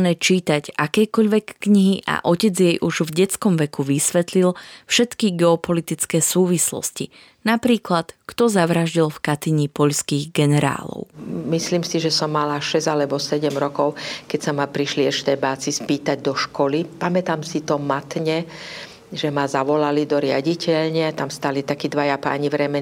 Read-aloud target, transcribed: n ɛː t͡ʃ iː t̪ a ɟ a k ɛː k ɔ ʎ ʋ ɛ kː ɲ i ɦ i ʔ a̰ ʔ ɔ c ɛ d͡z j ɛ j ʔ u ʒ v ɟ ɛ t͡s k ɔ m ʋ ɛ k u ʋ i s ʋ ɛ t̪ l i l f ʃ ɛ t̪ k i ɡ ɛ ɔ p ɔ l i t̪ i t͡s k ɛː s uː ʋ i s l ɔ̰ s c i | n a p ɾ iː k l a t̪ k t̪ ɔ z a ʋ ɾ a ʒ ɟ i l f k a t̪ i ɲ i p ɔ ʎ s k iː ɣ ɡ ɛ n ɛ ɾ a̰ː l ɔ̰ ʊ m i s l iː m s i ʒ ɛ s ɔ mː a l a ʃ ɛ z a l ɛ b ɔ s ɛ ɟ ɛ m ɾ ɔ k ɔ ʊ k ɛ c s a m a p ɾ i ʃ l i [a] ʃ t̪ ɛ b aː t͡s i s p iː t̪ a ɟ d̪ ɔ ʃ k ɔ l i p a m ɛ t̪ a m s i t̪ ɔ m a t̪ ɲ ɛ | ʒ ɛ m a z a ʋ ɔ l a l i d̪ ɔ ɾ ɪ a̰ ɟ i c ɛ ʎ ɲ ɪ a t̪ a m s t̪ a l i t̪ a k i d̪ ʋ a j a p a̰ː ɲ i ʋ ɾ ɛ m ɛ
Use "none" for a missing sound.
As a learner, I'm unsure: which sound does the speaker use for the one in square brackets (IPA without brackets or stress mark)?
ɛ